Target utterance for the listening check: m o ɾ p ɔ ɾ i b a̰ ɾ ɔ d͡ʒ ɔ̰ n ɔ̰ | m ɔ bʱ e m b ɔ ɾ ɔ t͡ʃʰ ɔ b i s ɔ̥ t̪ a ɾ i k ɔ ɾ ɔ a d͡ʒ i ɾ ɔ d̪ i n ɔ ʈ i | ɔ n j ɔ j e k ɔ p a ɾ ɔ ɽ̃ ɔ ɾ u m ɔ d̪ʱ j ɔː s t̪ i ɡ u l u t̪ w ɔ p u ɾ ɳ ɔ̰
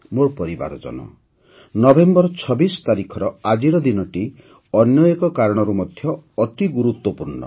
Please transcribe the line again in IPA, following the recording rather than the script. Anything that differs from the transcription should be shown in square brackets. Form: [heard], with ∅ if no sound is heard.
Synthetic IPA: m o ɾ p ɔ ɾ i b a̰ ɾ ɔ d͡ʒ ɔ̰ n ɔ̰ | [n] ɔ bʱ e m b ɔ ɾ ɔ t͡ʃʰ ɔ b i s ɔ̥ t̪ a ɾ i [kʰ] ɔ ɾ ɔ a d͡ʒ i ɾ ɔ d̪ i n ɔ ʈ i | ɔ n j ɔ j e k ɔ [k] a ɾ ɔ ɽ̃ ɔ ɾ u m ɔ d̪ʱ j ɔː [∅] t̪ i ɡ u [ɾ] u t̪ w ɔ p u ɾ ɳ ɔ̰

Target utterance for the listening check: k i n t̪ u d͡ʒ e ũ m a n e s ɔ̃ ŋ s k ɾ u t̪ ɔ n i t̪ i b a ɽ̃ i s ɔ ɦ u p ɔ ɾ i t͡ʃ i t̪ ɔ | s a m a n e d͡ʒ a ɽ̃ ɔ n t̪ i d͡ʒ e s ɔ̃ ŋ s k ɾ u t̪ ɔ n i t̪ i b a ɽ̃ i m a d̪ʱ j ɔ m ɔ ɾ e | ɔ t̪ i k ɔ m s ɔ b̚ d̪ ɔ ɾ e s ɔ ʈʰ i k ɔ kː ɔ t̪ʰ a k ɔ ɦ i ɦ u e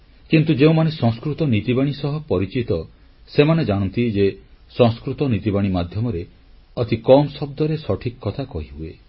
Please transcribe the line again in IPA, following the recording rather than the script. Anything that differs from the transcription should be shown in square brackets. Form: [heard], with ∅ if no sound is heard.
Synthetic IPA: k i n t̪ u d͡ʒ e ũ m a n e s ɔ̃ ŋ s k ɾ u t̪ ɔ n i t̪ i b a ɽ̃ i s ɔ ɦ [ɔ] p ɔ ɾ i t͡ʃ i t̪ ɔ | s [e] m a n e d͡ʒ a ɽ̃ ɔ n t̪ i d͡ʒ e s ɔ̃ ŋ s k ɾ u t̪ ɔ n i t̪ i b a ɽ̃ i m a d̪ʱ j ɔ m ɔ ɾ e | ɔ t̪ i k ɔ m s ɔ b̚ d̪ ɔ ɾ e s ɔ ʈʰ i k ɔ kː ɔ t̪ʰ a k ɔ ɦ i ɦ u e

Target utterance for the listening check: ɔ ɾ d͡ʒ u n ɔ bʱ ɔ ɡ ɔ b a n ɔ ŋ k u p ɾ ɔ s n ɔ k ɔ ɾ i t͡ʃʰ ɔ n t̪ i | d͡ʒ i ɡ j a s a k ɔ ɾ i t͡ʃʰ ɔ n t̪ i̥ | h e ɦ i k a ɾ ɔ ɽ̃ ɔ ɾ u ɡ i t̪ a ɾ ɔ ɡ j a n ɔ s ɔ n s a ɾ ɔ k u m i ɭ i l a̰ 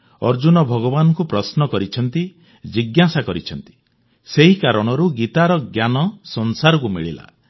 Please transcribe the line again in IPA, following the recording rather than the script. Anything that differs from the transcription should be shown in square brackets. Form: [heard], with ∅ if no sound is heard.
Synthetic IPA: ɔ ɾ d͡ʒ u n ɔ bʱ ɔ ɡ ɔ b a n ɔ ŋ k u p ɾ ɔ s n ɔ k ɔ ɾ i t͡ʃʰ ɔ n t̪ i | d͡ʒ i ɡ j a s a k ɔ ɾ i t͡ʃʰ ɔ n t̪ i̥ | [s] e ɦ i k a ɾ ɔ ɽ̃ ɔ ɾ u ɡ i t̪ a ɾ ɔ ɡ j a n ɔ s ɔ n s a ɾ ɔ k u m i ɭ i l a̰

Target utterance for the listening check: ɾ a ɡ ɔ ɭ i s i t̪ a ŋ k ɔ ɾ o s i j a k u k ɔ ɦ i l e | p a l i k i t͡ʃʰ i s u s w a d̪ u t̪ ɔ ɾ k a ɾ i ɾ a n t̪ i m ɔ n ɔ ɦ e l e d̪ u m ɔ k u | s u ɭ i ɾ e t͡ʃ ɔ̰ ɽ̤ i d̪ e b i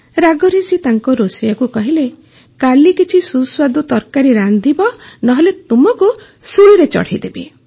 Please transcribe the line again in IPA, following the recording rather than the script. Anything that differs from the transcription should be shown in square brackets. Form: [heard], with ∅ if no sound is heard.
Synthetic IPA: ɾ a ɡ ɔ [ɾ] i s i t̪ a ŋ k ɔ ɾ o s i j a k u k ɔ ɦ i l e | [k] a l i k i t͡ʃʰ i s u s w a d̪ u t̪ ɔ ɾ k a ɾ i ɾ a n [d̪] i [b] ɔ n ɔ ɦ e l e [t̪] u m ɔ k u | s u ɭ i ɾ e t͡ʃ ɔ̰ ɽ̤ i d̪ e b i

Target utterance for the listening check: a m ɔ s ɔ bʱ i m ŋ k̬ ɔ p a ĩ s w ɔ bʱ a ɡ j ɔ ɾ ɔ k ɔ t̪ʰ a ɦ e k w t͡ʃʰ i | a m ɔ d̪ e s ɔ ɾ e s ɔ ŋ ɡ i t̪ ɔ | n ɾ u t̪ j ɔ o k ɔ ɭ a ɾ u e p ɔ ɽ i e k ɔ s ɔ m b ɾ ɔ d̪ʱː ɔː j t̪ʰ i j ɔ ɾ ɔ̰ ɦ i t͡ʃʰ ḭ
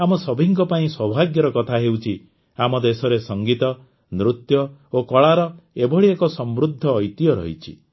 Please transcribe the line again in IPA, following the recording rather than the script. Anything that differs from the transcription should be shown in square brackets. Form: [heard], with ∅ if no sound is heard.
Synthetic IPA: a m ɔ s ɔ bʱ i [∅] ŋ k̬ ɔ p a ĩ s w ɔ bʱ a ɡ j ɔ ɾ ɔ k ɔ t̪ʰ a ɦ e [∅] w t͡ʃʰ i | a m ɔ d̪ e s ɔ ɾ e s ɔ ŋ ɡ i t̪ ɔ | n ɾ u t̪ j ɔ o k ɔ ɭ a ɾ [ɔ] e [b] ɔ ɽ i e k ɔ s ɔ m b ɾ [u] d̪ʱː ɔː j [t̪] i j ɔ ɾ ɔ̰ ɦ i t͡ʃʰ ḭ

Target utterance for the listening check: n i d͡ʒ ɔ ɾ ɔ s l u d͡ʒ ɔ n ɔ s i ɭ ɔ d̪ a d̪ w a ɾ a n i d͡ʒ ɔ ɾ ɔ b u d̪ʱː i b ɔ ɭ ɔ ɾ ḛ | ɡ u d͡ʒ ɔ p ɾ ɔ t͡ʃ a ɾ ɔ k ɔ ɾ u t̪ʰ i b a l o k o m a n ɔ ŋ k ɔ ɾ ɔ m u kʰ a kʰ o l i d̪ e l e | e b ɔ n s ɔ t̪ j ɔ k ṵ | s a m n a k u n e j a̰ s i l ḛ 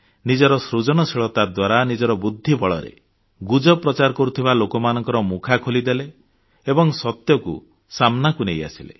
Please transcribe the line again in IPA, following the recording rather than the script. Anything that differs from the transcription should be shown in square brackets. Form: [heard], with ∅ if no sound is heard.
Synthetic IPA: n i d͡ʒ ɔ ɾ ɔ s [ɾ] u d͡ʒ ɔ n ɔ s i ɭ ɔ [t̪] a d̪ w a ɾ a n i d͡ʒ ɔ ɾ ɔ b u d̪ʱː i b ɔ ɭ ɔ ɾ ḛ | ɡ u d͡ʒ ɔ p ɾ ɔ t͡ʃ a ɾ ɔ k ɔ ɾ u t̪ʰ i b a l o k [ɔ] m a n ɔ ŋ k ɔ ɾ ɔ m u kʰ a kʰ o l i d̪ e l e | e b ɔ [ŋ] s ɔ t̪ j ɔ k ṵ | s a m n a k u n e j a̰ s i l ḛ

